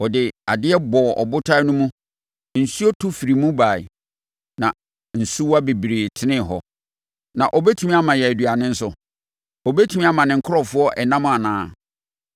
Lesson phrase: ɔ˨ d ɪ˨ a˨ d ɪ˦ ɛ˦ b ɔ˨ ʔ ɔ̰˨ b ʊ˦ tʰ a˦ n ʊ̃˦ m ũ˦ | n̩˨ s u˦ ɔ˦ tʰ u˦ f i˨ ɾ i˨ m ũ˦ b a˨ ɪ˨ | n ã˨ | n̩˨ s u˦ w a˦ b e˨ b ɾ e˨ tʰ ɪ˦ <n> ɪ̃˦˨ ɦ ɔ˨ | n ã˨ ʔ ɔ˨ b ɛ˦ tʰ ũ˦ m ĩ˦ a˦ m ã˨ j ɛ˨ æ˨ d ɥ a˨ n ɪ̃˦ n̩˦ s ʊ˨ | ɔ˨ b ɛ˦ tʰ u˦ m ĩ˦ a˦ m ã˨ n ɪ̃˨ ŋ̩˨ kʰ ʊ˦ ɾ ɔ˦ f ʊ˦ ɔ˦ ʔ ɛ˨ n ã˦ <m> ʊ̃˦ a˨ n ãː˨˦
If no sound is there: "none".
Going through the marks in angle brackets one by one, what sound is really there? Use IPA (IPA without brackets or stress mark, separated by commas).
n, m